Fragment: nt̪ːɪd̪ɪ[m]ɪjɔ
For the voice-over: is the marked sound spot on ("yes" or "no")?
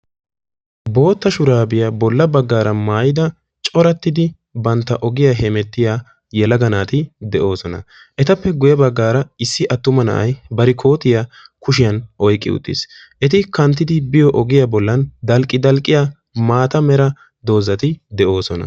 no